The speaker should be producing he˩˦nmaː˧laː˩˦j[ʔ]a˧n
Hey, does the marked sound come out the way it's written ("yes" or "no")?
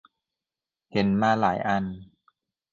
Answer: yes